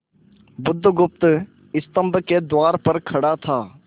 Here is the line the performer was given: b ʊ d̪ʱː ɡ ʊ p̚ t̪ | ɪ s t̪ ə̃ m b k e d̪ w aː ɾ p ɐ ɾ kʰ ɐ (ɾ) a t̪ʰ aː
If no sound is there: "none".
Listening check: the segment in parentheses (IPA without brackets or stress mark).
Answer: ɽ